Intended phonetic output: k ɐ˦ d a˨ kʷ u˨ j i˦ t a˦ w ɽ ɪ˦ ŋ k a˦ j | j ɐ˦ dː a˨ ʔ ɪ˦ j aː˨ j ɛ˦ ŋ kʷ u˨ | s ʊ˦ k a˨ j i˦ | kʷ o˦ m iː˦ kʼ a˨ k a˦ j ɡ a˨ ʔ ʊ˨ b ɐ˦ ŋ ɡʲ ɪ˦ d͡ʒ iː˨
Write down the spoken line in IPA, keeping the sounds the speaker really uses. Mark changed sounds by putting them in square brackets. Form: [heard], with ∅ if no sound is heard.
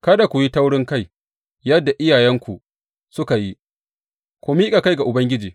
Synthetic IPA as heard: k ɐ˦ d a˨ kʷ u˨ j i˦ t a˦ w ɽ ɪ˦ ŋ k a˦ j | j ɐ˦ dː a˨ ʔ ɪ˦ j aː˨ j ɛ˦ ŋ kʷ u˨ | s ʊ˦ k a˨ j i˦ | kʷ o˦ m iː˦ kʼ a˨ k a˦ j ɡ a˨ ʔ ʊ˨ b ɐ˦ ŋ ɡʲ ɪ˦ d͡ʒ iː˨